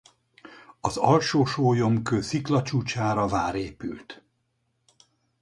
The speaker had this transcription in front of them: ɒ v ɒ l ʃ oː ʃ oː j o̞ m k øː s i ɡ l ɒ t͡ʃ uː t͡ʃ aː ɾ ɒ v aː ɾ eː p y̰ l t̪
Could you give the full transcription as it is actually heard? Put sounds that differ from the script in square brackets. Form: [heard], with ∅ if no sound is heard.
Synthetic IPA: ɒ [z] ɒ l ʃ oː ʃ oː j o̞ m k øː s i [k] l ɒ t͡ʃ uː t͡ʃ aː ɾ ɒ v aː ɾ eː p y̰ l t̪